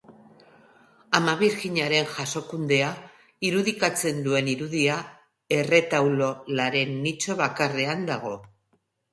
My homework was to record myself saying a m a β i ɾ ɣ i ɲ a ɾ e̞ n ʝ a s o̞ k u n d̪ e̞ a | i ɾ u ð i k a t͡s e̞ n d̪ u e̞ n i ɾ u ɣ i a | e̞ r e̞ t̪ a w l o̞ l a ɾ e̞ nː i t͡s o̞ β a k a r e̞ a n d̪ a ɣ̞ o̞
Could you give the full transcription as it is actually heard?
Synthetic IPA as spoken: a m a β i ɾ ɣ i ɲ a ɾ e̞ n ʝ a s o̞ k u n d̪ e̞ a | i ɾ u ð i k a t͡s e̞ n d̪ u e̞ n i ɾ u ð i a | e̞ r e̞ t̪ a w l o̞ l a ɾ e̞ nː i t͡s o̞ β a k a r e̞ a n d̪ a ɣ̞ o̞